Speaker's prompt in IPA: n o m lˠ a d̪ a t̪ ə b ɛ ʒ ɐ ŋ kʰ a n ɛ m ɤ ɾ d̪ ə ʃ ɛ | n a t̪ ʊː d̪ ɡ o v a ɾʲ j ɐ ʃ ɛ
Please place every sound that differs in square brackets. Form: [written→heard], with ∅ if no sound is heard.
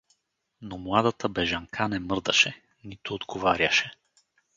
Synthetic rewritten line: n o m lˠ a d̪ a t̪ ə b ɛ ʒ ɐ ŋ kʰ a n ɛ m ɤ ɾ d̪ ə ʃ ɛ | n [a→i] t̪ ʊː d̪ ɡ o v a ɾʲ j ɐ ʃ ɛ